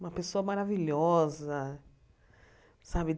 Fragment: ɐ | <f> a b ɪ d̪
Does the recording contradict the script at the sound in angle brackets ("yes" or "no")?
yes